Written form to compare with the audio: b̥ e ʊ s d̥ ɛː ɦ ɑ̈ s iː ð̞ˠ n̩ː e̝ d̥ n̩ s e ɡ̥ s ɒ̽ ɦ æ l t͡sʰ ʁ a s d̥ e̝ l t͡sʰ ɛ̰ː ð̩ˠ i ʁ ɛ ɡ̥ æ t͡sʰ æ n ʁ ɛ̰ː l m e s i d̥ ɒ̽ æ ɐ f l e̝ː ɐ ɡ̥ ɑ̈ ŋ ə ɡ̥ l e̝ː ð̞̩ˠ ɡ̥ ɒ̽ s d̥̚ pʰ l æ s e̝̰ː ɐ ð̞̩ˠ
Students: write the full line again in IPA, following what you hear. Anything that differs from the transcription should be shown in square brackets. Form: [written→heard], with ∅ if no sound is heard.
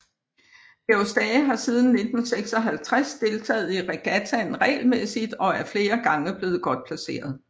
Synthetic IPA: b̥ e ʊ s d̥ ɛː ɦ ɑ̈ s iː ð̞ˠ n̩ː e̝ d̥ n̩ s e ɡ̥ s ɒ̽ ɦ æ l t͡sʰ ʁ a s d̥ e̝ l t͡sʰ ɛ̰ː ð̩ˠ i ʁ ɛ ɡ̥ æ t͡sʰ æ n ʁ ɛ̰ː l m e s i d̥ ɒ̽ æ ɐ f l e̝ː ɐ ɡ̥ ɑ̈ ŋ ə [ɡ̥→b̥] l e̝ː ð̞̩ˠ ɡ̥ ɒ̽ [s→∅] d̥̚ pʰ l æ s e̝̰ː ɐ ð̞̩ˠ

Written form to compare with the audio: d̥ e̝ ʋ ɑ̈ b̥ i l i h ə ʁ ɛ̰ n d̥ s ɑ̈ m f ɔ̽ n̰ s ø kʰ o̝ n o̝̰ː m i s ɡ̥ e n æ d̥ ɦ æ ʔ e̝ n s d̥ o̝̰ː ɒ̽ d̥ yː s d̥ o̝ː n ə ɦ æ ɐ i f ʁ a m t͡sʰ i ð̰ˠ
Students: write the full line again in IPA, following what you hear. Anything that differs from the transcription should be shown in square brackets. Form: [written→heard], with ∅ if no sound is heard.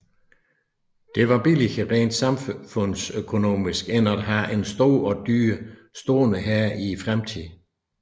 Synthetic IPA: d̥ e̝ ʋ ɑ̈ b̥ i l i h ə ʁ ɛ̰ n d̥ s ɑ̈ m f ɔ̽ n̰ s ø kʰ o̝ n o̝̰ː m i s ɡ̥ e n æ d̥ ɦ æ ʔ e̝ n s d̥ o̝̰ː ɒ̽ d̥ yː s d̥ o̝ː n ə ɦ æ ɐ i f ʁ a m t͡sʰ i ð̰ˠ

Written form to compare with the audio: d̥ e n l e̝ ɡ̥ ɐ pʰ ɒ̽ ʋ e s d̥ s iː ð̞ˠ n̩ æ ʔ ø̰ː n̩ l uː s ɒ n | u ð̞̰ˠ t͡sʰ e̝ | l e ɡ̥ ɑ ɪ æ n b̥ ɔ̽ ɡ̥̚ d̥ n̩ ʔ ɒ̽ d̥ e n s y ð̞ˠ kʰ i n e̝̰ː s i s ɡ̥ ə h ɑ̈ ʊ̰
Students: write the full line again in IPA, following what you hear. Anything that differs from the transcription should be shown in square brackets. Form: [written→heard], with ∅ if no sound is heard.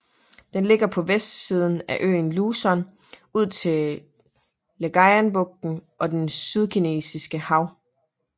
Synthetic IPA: d̥ e n l e̝ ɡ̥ ɐ pʰ ɒ̽ ʋ e s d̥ s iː ð̞ˠ n̩ æ ʔ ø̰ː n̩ l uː s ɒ n | u ð̞̰ˠ t͡sʰ e̝ | l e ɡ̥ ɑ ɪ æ n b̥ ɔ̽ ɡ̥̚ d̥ n̩ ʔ ɒ̽ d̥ e n s y ð̞ˠ kʰ i n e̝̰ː s i s ɡ̥ ə h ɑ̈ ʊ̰

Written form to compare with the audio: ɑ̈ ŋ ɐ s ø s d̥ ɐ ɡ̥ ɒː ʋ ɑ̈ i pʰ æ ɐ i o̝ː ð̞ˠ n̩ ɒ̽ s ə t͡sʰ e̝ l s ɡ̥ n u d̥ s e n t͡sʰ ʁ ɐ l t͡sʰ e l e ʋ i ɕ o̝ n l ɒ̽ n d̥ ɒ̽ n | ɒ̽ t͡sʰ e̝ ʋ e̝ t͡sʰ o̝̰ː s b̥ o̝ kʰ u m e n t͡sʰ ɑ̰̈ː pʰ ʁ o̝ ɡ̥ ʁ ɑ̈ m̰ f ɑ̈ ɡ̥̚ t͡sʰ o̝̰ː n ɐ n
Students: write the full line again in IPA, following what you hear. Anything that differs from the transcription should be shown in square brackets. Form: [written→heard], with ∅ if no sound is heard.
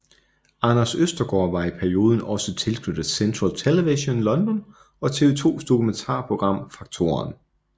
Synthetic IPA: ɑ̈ [ŋ→n] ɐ s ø s d̥ ɐ ɡ̥ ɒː ʋ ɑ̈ i pʰ æ ɐ i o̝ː ð̞ˠ n̩ ɒ̽ s ə t͡sʰ e̝ l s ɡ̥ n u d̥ s e n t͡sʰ ʁ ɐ l t͡sʰ e l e ʋ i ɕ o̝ n l ɒ̽ n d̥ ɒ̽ n | ɒ̽ t͡sʰ e̝ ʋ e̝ t͡sʰ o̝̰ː s [b̥→d̥] o̝ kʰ u m e n t͡sʰ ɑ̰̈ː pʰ ʁ o̝ ɡ̥ ʁ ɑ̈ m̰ f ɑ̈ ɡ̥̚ t͡sʰ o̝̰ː [n→∅] ɐ n

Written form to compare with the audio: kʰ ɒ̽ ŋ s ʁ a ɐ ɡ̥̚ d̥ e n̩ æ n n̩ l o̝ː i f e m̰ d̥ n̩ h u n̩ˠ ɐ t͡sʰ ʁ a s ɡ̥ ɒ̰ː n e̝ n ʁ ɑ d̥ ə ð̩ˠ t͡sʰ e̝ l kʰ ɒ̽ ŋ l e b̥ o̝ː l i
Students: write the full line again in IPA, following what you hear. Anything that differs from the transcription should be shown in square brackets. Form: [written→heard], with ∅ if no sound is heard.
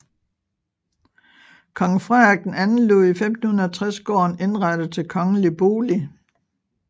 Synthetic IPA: kʰ ɒ̽ ŋ [s→f] ʁ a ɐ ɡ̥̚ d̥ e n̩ æ n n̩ l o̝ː i f e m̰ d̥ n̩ h u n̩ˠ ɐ t͡sʰ ʁ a s ɡ̥ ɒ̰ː n e̝ n ʁ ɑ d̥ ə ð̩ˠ t͡sʰ e̝ l kʰ ɒ̽ ŋ l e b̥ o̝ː l i

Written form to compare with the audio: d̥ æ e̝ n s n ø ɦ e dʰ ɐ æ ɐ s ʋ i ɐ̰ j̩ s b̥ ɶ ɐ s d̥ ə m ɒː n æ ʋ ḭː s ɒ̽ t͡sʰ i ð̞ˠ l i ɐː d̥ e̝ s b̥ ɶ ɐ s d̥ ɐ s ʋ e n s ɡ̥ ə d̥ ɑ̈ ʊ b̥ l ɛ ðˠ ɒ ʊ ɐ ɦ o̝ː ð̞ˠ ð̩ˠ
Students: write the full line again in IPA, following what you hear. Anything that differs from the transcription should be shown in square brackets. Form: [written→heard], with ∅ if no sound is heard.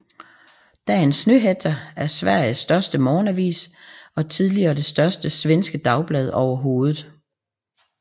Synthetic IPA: d̥ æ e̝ n s n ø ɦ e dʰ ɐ æ ɐ s ʋ [i→æ] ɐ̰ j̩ s [b̥→d̥] ɶ ɐ s d̥ ə m ɒː n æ ʋ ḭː s ɒ̽ t͡sʰ i ð̞ˠ l i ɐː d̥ e̝ s [b̥→d̥] ɶ ɐ s d̥ [ɐ→ə] s ʋ e n s ɡ̥ ə d̥ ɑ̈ ʊ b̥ l ɛ ðˠ ɒ ʊ ɐ ɦ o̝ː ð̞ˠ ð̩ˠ

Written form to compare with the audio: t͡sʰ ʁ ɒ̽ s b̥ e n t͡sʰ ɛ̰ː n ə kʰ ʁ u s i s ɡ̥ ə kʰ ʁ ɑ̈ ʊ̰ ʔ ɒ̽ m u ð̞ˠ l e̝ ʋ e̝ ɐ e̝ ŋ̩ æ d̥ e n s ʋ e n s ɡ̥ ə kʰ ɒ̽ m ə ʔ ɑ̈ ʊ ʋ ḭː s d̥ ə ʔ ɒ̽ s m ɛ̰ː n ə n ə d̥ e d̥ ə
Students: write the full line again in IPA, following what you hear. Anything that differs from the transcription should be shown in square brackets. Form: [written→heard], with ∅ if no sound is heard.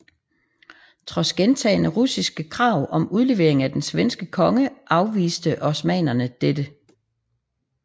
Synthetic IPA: t͡sʰ ʁ ɒ̽ s [b̥→ɡ̥] e n t͡sʰ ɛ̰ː n ə [kʰ→∅] ʁ u s i s ɡ̥ ə kʰ ʁ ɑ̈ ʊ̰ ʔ ɒ̽ m u ð̞ˠ l e̝ ʋ e̝ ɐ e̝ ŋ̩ æ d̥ e n s ʋ e n s ɡ̥ ə kʰ ɒ̽ [m→ŋ] ə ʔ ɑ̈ ʊ ʋ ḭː s d̥ ə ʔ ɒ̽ s m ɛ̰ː n [ə→ɐ] n ə d̥ e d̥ ə

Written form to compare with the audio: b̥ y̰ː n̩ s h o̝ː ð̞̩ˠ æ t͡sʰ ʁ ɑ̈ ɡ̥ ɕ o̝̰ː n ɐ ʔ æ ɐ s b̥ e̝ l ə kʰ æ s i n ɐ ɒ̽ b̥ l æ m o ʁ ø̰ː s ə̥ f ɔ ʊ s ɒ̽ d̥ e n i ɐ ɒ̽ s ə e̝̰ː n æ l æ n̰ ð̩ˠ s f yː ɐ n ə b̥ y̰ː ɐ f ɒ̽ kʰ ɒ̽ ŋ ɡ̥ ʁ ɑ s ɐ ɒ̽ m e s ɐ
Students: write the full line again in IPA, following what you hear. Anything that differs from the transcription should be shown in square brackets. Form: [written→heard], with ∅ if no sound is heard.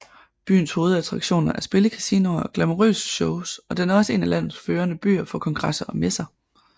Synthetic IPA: b̥ y̰ː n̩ s h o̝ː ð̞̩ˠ æ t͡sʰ ʁ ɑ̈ ɡ̥ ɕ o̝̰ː n ɐ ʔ æ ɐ s b̥ e̝ l ə kʰ æ s i n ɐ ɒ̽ [b̥→ɡ̥] l æ m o ʁ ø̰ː s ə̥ [f→ɕ] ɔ ʊ s ɒ̽ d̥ e n [i→æ] ɐ ɒ̽ s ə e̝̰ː n æ l æ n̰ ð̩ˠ s f [yː→øː] ɐ n ə b̥ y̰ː ɐ f ɒ̽ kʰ ɒ̽ ŋ ɡ̥ ʁ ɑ s ɐ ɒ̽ m e s ɐ

